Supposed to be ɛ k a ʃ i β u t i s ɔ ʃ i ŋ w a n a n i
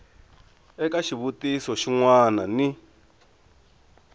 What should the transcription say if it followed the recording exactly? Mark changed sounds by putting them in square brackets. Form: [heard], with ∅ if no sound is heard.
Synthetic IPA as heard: ɛ k a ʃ i β u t i s ɔ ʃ i ŋ w a n a n i